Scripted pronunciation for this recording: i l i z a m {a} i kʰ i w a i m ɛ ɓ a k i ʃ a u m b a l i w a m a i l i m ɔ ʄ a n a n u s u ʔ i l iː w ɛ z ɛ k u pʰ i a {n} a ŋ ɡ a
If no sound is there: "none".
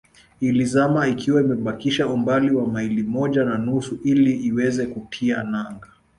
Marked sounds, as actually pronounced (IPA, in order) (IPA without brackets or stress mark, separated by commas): a, n